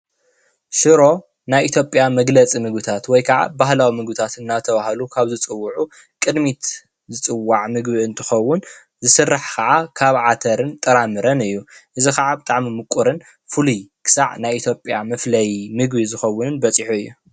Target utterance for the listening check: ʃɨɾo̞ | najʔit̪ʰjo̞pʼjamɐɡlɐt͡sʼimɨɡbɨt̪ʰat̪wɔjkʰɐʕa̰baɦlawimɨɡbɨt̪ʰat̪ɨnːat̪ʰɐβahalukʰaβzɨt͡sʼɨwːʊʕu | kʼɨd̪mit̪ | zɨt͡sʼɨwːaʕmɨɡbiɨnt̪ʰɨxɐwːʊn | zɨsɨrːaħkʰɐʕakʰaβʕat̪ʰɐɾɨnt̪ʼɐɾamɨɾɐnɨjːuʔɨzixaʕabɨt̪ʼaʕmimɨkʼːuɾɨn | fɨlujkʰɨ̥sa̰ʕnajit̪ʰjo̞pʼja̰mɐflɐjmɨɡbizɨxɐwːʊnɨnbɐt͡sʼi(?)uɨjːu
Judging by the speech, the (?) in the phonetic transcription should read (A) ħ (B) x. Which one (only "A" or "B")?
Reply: A